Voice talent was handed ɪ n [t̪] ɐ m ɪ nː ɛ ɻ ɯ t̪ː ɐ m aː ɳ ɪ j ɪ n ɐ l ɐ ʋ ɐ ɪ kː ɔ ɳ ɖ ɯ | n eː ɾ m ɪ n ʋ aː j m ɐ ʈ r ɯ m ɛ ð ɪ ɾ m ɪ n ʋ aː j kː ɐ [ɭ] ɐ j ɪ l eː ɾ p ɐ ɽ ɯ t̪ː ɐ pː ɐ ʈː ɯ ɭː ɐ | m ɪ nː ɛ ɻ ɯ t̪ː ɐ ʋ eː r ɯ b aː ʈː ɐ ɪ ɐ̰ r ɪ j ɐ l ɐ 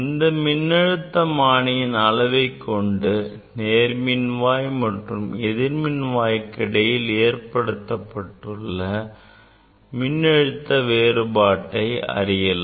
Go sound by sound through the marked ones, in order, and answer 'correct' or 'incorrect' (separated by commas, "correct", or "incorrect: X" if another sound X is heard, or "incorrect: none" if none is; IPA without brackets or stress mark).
incorrect: d̪, incorrect: ɽ